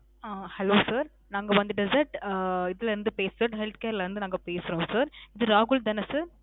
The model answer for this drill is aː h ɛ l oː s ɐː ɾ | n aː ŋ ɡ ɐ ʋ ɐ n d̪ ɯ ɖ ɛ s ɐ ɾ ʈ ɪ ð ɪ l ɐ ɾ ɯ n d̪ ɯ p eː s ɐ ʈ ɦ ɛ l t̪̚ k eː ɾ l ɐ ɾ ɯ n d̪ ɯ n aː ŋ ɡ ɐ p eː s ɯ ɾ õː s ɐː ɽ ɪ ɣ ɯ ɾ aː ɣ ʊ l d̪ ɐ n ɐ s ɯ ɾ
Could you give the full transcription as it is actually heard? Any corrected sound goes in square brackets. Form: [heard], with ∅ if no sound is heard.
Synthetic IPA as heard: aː h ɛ l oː s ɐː ɾ | n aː ŋ ɡ ɐ ʋ ɐ n d̪ ɯ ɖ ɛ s ɐ ɾ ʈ ɪ ð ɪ l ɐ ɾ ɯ n d̪ ɯ p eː s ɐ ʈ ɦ ɛ l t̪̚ k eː ɾ l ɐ ɾ ɯ n d̪ ɯ n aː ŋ ɡ ɐ p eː s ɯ ɾ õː s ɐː [ɾ] ɪ [ð] ɯ ɾ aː ɣ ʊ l d̪ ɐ n ɐ s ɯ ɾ